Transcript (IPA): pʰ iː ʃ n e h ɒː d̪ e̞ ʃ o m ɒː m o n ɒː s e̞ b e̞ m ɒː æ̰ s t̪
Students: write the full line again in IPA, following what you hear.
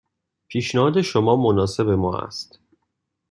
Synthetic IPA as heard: pʰ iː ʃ n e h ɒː d̪ e̞ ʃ o m ɒː m o n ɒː s e̞ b e̞ m ɒː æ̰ s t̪